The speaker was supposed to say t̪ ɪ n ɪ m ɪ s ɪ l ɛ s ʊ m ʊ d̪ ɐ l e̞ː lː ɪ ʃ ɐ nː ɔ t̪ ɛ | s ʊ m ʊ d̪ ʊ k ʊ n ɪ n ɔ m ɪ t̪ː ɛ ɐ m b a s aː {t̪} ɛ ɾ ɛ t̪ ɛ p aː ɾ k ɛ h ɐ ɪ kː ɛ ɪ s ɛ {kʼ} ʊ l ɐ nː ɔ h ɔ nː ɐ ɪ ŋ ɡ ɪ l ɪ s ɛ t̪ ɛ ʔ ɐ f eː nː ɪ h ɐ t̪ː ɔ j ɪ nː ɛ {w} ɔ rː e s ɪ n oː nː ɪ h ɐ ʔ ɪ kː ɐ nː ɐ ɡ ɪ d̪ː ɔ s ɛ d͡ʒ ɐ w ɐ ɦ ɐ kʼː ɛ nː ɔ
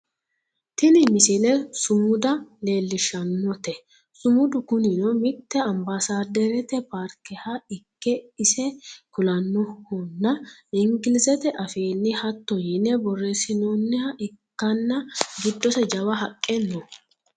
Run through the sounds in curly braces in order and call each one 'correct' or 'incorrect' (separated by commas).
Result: incorrect, incorrect, incorrect